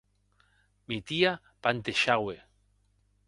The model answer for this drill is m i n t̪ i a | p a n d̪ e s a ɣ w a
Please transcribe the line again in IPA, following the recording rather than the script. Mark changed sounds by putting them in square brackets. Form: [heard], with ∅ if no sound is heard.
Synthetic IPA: m i [∅] t̪ i a | p a n [t̪] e [ʃ] a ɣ w [e]